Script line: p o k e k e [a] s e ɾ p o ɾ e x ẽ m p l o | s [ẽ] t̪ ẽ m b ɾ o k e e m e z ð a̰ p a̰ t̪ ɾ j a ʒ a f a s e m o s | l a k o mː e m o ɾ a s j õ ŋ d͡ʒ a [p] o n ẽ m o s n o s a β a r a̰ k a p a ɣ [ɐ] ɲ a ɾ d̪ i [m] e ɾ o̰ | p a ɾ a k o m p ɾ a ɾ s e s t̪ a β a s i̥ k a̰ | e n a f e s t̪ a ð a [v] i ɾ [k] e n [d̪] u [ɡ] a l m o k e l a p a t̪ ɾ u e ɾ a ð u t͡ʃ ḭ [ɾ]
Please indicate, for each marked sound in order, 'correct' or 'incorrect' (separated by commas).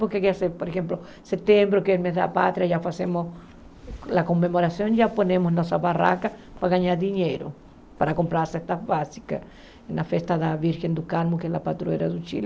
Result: correct, incorrect, correct, incorrect, incorrect, incorrect, incorrect, correct, incorrect, incorrect